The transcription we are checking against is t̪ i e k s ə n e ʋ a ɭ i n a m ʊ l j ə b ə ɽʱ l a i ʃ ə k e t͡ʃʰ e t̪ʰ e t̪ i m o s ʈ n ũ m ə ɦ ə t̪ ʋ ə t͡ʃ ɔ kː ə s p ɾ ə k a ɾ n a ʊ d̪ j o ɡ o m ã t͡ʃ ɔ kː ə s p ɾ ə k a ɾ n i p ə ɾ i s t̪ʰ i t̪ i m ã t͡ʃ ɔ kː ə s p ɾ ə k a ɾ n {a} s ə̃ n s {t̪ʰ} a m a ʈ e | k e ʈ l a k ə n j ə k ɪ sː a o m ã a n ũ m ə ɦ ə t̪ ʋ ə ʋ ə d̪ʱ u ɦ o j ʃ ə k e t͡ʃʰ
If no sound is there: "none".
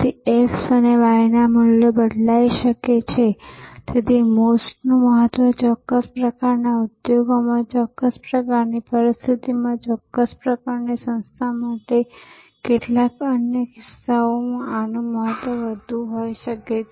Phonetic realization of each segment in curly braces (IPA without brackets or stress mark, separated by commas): i, t̪ʰ